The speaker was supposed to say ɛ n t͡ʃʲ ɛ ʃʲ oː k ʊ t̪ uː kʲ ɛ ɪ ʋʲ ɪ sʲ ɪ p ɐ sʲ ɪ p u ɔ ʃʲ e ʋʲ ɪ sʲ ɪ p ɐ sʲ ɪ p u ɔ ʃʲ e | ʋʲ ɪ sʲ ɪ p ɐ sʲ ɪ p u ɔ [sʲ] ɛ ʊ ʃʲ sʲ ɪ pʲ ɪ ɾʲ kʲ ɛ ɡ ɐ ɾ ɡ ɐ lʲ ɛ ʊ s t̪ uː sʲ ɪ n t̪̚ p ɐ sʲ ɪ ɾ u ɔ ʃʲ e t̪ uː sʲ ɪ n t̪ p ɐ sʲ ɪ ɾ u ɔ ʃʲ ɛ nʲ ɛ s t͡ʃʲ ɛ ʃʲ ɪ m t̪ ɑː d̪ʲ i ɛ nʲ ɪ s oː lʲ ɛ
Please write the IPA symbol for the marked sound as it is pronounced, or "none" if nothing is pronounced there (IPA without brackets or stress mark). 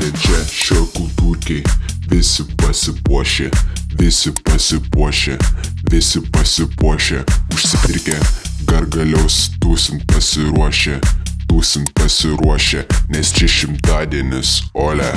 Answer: ʃʲ